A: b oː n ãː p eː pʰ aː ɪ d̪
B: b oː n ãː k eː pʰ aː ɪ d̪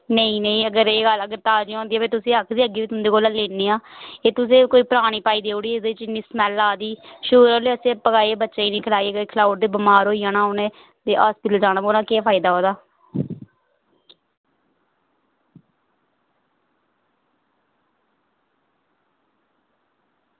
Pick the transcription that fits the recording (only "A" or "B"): B